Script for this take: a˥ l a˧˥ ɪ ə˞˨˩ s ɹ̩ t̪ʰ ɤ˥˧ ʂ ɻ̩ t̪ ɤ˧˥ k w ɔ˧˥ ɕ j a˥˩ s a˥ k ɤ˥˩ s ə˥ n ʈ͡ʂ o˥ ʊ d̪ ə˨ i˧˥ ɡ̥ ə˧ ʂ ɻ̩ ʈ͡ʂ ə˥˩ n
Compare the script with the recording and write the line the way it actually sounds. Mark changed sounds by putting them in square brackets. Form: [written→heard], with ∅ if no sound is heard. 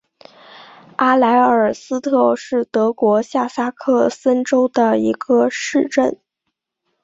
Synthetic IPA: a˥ l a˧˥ ɪ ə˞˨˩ s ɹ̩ t̪ʰ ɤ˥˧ ʂ ɻ̩ t̪ ɤ˧˥ k w ɔ˧˥ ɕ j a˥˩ s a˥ [k→kʰ] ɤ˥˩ s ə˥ n ʈ͡ʂ o˥ ʊ d̪ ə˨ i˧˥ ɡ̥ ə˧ ʂ ɻ̩ ʈ͡ʂ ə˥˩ n